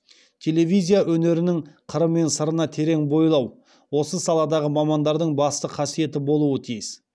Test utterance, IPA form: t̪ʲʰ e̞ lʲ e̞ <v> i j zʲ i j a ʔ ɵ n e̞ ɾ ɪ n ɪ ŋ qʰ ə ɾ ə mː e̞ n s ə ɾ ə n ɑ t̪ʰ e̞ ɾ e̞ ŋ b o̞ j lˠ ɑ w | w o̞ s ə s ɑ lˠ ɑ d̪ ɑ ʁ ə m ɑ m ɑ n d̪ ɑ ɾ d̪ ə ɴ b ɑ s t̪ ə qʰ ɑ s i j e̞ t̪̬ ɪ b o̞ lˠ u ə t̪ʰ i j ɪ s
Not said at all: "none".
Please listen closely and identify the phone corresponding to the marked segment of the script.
v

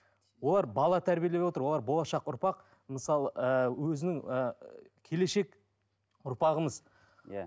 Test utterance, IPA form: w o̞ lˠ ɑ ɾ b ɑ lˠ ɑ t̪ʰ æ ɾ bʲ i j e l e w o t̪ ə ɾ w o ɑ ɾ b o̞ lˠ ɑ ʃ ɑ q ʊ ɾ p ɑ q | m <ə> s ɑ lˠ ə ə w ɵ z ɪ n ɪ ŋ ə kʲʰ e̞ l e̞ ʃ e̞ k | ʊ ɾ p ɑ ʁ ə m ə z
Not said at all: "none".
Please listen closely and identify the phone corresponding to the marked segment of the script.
ə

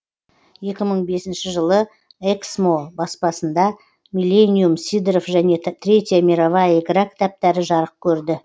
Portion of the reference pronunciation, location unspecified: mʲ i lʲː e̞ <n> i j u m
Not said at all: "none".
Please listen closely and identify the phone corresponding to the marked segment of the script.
n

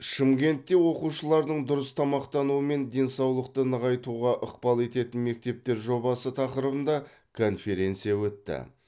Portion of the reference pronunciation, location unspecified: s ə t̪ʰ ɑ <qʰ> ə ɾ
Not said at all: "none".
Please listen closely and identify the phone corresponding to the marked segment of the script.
q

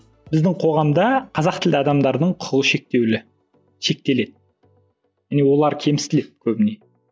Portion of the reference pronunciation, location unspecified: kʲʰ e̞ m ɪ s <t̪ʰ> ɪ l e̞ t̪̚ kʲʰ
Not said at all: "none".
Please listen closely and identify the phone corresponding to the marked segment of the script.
t̪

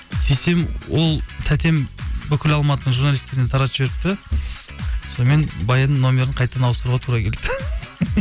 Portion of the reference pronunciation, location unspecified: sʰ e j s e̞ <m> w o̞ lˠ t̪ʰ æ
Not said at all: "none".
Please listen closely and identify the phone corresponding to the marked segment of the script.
m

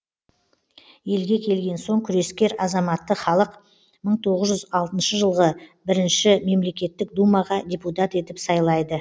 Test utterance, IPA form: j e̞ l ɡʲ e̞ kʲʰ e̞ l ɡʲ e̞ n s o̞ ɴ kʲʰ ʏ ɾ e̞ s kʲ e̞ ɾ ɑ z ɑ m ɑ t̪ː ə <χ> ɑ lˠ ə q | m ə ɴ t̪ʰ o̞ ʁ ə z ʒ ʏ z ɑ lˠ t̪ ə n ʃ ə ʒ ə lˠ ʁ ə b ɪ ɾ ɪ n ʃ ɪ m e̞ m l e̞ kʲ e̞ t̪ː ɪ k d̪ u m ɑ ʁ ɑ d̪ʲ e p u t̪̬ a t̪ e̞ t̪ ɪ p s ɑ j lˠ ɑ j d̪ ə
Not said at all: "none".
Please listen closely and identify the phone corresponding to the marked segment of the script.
χ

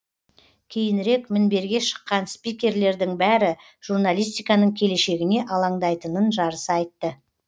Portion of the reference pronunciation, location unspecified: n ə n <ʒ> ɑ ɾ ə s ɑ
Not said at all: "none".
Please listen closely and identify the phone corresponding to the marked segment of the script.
ʒ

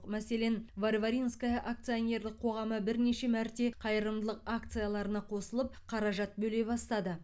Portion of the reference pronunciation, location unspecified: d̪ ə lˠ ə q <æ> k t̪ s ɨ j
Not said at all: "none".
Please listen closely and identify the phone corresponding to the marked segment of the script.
a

